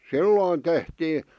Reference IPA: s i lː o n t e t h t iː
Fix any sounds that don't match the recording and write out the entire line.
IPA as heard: s i lː oː n t e h t iː

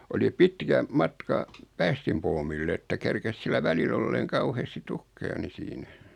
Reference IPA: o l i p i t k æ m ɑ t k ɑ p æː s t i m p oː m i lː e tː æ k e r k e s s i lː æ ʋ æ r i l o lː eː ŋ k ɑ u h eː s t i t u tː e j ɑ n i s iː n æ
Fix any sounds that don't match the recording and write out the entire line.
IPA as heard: o l i p i t k æ m ɑ t k ɑ p æː s t i m p oː m i lː e tː æ k e r k e s s i lː æ ʋ æ l i l o lː eː ŋ k ɑ u h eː s t i t u kː e j ɑ n i s iː n æ

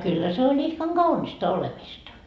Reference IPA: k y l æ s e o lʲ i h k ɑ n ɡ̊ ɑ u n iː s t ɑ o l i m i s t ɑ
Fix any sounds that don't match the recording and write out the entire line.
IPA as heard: k y lː æ s e o lʲ i h k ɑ ŋ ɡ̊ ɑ u n i s t ɑ o l e m i s t ɑ

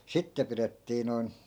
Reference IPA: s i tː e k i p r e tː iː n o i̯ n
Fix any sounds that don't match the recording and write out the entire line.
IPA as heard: s i tː e p i r e tː iː n o i̯ n

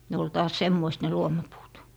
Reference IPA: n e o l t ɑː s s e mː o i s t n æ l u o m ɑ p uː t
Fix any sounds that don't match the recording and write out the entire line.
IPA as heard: n e o l t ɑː s s e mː o i s t n e l u o m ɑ p uː t

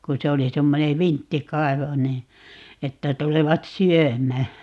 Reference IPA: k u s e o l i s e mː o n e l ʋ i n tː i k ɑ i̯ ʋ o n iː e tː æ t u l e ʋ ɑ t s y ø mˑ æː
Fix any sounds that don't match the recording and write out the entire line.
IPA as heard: k u s e o l i s e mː o n e ʋ i n tː i k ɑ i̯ ʋ o n iː e tː æ t u l e ʋ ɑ t s y ø mˑ æː

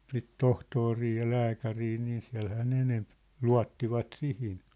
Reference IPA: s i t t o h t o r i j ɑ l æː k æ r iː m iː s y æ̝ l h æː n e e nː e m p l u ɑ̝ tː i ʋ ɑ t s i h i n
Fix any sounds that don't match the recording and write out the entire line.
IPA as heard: s i t t o h t o r i j ɑ l æː k æ r iː n iː s i æ̝ l h æː n e e n e m p l u ɑ̝ tː i ʋ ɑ t s i h i n

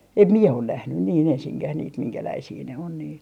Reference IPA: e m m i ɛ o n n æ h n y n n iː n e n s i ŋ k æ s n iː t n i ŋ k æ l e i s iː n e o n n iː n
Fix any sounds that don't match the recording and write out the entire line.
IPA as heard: e m m i ɛ o n n æ h n y n n iː n e n s i ŋ k æ h n iː t m i ŋ k æ l æ i s iː n e o n n iː n

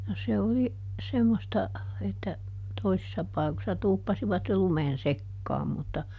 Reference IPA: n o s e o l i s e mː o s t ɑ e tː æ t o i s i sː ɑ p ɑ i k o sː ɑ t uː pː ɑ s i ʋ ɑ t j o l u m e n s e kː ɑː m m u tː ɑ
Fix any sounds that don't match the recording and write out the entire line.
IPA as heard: n o s e o l i s e mː o s t ɑ e tː æ t o i s i sː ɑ p ɑ i k o sː ɑ t uː pː ɑ s i ʋ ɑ t j o l u m e n s e kː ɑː m m u tː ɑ

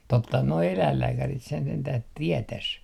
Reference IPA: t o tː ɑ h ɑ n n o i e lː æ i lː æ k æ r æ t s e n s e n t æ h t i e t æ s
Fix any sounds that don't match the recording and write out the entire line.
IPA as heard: t o tː ɑ h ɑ n n o i e l æ i lː æː k æ r i t s e n s e n t æ h t i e t æ s

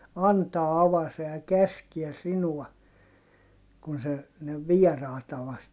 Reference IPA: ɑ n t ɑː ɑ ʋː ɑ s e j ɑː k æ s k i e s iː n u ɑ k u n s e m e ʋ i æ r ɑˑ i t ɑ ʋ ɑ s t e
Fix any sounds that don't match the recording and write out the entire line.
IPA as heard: ɑ n t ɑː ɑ ʋ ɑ s e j ɑ k æ s k i ɛ s i n u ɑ k u n s e n e ʋ i ɛ r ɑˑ i t ɑ ʋ ɑ s t e

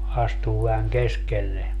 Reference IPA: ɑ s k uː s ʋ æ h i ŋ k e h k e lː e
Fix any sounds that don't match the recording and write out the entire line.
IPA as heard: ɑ s t uː ʋ æ h æ ŋ k e s k e lː e

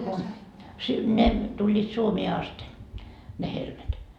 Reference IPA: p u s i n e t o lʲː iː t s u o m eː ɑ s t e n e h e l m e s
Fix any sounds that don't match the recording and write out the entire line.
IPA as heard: k u s i n e t u lʲː iː t s u o m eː ɑ s t e n e h e l m e t

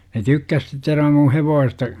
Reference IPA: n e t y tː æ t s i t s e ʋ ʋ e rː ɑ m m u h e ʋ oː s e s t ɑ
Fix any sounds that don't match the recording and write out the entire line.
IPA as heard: n e t y kː æ s s i t s e ʋ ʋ e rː ɑ m m u h e ʋ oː s e s t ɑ

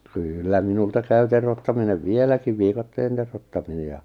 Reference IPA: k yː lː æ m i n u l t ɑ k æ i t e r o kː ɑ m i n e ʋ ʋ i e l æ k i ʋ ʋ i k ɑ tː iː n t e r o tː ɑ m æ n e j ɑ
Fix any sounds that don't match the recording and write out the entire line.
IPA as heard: k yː lː æ m i n u l t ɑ k æ y t e r o tː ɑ m i n e ʋ ʋ i e l æ k i ʋ ʋ i k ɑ tː eː n t e r o tː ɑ m i n e j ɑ

